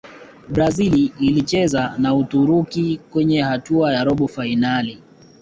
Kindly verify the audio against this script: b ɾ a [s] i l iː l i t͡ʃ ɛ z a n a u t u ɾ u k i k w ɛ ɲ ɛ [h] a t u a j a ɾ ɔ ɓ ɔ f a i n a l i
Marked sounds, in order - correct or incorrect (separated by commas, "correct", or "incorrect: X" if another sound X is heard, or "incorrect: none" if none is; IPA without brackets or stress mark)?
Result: incorrect: z, correct